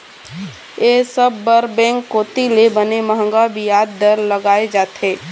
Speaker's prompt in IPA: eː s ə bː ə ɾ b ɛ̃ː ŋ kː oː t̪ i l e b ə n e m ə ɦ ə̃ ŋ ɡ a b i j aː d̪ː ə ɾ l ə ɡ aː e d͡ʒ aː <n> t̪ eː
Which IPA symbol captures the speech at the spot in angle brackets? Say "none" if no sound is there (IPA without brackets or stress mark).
none